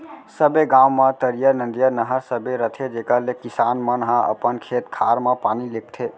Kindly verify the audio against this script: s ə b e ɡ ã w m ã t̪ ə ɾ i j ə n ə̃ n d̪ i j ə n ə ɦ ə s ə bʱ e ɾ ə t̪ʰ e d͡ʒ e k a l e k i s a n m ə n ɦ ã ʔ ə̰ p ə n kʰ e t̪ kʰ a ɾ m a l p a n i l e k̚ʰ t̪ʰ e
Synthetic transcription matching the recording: s ə b e ɡ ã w m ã t̪ ə ɾ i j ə n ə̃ n d̪ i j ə n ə ɦ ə s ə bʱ e ɾ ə t̪ʰ e d͡ʒ e k a l e k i s a n m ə n ɦ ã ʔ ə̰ p ə n kʰ e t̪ kʰ a ɾ m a p a n i l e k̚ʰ t̪ʰ e